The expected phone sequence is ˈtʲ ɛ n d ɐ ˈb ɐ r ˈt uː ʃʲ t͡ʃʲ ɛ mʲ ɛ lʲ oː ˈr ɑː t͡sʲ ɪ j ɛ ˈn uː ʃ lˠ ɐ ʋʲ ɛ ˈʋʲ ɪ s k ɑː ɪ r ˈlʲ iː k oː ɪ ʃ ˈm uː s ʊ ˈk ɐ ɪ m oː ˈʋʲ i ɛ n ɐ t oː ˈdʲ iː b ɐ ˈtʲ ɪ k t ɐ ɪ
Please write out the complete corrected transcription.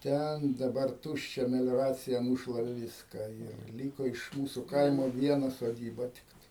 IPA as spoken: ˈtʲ ɛ n d ɐ ˈb ɐ r ˈt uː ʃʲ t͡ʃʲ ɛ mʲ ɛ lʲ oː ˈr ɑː t͡sʲ ɪ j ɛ ˈn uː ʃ lˠ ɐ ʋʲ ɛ ˈʋʲ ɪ s k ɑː ɪ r ˈlʲ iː k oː ɪ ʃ ˈm uː s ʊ ˈk ɐ ɪ m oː ˈʋʲ i ɛ n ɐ s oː ˈdʲ iː b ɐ ˈtʲ ɪ k t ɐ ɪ